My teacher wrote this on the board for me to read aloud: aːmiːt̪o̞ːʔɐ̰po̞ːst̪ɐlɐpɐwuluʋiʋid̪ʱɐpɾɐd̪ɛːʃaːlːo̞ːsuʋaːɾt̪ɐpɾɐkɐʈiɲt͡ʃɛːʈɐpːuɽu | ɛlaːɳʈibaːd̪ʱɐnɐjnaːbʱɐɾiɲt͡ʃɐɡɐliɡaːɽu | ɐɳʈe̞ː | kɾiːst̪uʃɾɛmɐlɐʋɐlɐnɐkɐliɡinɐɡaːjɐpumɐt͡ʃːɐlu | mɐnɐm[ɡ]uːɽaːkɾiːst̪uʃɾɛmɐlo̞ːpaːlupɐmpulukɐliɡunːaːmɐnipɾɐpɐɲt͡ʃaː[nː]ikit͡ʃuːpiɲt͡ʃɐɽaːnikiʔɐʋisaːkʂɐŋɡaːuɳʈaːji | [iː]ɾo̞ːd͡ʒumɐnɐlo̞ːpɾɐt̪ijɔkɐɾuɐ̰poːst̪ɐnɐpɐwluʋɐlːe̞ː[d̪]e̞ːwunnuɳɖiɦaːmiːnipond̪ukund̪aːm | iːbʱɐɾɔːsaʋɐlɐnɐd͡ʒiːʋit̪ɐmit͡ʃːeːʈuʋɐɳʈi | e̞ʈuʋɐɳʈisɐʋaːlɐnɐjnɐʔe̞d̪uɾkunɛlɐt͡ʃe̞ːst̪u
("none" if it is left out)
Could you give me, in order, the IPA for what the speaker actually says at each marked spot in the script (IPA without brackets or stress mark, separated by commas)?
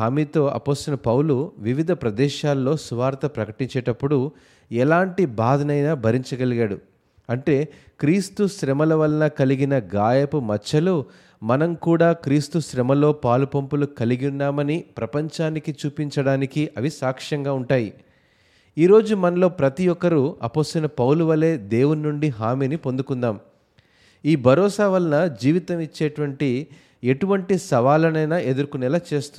k, n, iː, d̪